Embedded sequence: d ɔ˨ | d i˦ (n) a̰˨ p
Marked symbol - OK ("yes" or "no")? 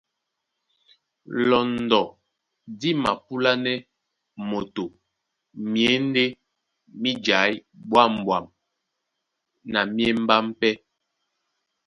no